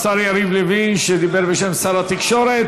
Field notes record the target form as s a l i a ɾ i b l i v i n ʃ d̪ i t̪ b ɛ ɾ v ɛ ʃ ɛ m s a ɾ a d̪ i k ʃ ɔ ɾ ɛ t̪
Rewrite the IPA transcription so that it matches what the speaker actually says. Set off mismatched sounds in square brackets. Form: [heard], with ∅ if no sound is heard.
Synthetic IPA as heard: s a [ɾ] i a ɾ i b l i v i n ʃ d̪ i [∅] b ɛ ɾ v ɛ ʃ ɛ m s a ɾ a [t̪] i k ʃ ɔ ɾ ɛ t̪